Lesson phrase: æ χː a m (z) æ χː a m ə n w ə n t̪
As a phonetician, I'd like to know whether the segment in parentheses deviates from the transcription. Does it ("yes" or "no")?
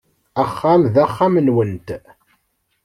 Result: yes